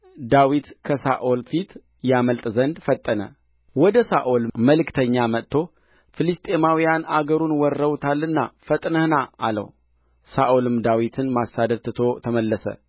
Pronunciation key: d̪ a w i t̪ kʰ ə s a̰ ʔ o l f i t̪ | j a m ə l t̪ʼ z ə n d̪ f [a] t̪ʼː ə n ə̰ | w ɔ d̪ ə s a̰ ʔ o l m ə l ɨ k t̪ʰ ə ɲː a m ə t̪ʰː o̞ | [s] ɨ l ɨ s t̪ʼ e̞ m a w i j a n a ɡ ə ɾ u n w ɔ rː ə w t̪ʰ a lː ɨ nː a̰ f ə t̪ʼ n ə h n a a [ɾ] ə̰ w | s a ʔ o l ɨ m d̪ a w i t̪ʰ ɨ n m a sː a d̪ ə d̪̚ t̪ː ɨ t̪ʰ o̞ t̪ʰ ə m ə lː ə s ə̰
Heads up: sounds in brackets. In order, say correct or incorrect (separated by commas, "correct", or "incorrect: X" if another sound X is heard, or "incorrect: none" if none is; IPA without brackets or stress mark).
incorrect: ə, incorrect: f, incorrect: l